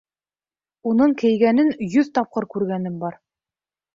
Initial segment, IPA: u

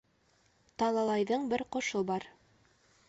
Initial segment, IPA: t̪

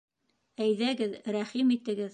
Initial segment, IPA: æ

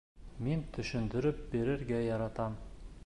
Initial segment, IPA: m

